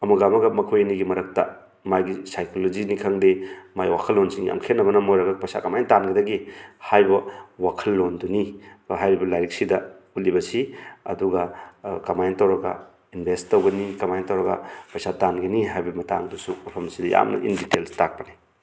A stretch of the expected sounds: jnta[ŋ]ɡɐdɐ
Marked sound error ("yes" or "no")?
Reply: yes